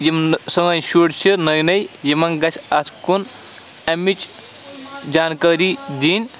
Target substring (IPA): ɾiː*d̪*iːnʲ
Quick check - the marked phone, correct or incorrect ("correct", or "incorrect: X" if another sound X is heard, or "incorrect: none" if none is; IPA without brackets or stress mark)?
correct